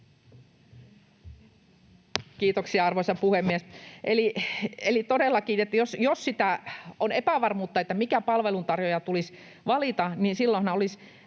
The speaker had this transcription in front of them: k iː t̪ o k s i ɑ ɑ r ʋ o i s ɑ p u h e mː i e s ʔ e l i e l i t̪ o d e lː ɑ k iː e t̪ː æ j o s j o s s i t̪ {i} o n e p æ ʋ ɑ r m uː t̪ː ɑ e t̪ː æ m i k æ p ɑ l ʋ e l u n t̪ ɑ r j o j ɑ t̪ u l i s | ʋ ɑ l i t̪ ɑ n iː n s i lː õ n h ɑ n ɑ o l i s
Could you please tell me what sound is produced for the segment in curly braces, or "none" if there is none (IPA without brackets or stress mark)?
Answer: æ